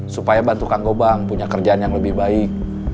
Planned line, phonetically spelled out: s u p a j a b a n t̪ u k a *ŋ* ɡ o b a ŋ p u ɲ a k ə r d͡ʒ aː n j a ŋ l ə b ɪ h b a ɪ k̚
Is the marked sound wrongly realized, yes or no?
no